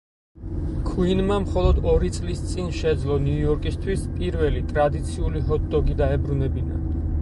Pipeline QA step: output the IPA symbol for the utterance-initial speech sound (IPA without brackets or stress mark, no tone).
kʰ